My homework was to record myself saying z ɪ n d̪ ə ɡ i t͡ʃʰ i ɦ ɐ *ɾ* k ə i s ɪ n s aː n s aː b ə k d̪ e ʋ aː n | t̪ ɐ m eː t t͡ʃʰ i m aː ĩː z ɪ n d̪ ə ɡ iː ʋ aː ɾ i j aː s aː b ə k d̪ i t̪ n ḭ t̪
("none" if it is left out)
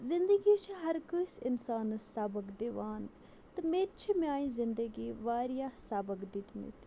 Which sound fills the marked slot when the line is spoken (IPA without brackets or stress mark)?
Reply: ɾ